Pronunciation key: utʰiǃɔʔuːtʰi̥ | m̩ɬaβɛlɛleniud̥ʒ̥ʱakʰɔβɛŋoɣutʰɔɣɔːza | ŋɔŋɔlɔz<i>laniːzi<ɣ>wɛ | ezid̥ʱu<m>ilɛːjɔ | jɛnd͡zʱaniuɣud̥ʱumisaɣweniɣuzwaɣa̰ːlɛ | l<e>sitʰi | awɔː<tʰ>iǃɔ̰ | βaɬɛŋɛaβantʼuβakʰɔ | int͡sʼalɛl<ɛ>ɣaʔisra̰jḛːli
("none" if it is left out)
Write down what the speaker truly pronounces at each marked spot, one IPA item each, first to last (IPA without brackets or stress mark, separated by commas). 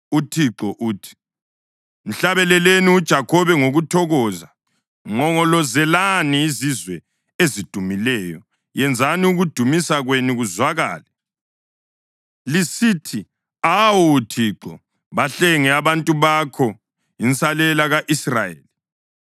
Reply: ɛ, z, m, i, tʰ, a